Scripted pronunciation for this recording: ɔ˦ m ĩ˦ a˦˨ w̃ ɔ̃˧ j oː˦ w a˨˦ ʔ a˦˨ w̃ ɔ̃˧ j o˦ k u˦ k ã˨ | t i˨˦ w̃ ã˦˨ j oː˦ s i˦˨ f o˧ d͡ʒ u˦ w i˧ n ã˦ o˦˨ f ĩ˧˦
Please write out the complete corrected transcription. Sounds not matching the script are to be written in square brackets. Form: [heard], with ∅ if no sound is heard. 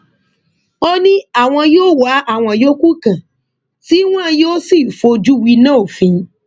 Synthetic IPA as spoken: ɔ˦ [n] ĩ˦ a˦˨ w̃ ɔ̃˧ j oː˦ w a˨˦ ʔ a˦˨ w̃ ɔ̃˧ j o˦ k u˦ k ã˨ | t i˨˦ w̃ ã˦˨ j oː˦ s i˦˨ f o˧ d͡ʒ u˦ w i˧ n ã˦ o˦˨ f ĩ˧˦